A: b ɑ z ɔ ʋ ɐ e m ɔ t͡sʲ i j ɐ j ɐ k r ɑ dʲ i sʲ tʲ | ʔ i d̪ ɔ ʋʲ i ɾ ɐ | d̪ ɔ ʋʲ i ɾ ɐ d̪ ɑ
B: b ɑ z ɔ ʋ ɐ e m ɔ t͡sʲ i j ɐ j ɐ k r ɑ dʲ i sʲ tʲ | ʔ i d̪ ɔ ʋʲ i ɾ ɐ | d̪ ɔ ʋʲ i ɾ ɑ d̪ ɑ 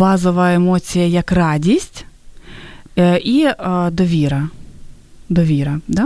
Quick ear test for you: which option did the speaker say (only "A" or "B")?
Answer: A